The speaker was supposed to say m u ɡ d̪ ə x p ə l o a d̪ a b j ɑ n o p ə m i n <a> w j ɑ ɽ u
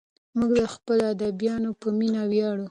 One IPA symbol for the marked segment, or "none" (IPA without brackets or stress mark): a